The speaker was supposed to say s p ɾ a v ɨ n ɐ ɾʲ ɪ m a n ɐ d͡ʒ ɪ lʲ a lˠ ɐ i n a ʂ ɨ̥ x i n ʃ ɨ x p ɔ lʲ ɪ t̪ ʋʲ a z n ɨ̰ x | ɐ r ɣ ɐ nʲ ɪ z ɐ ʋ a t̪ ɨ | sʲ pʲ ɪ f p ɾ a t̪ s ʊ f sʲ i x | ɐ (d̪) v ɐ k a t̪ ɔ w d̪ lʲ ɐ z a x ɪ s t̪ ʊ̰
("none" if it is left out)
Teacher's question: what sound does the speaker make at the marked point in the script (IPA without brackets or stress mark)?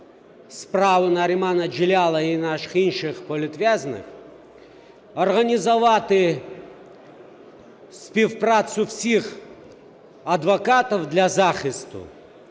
d̪